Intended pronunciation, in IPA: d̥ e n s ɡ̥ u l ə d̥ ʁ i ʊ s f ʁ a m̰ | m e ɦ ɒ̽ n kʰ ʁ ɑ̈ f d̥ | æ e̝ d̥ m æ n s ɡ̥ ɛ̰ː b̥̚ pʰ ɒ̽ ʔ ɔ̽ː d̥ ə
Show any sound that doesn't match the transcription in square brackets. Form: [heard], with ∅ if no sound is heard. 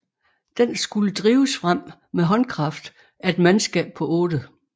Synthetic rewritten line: d̥ e n s ɡ̥ u l ə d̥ ʁ [iː] ʊ s f ʁ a m̰ | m e ɦ ɒ̽ n kʰ ʁ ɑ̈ f d̥ | æ e̝ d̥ m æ n s ɡ̥ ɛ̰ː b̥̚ pʰ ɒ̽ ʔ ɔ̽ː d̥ ə